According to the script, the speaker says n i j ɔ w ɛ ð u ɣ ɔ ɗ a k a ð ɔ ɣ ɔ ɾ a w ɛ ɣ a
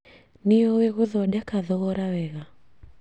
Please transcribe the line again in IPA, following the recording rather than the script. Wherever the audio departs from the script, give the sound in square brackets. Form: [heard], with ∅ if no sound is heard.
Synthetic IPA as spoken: n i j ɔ w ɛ [ɣ] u [ð] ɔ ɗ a k a ð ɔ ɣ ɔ ɾ a w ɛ ɣ a